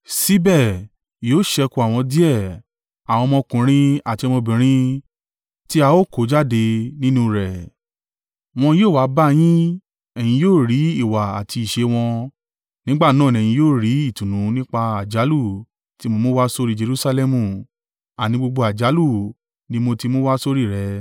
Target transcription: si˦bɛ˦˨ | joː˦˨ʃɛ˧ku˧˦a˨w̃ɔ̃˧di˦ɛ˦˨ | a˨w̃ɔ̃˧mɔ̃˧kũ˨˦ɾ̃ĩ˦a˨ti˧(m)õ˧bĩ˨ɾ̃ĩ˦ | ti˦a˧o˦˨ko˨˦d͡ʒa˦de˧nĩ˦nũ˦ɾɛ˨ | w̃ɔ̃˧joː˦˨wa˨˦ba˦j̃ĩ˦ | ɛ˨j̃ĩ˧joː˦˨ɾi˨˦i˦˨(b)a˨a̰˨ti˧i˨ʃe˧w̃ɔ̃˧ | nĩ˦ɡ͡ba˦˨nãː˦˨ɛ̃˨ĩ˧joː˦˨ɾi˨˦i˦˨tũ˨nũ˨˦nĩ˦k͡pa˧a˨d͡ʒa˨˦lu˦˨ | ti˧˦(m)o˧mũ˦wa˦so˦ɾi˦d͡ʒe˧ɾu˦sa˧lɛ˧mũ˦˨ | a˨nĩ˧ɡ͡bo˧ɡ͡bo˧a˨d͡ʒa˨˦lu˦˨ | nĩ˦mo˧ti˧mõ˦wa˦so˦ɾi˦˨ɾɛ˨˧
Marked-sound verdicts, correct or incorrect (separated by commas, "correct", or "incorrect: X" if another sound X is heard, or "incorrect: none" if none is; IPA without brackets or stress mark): correct, incorrect: w, correct